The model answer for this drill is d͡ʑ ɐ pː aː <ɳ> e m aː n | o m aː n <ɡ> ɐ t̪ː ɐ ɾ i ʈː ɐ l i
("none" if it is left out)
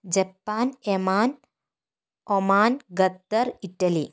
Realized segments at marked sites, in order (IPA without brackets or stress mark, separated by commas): n, ɡ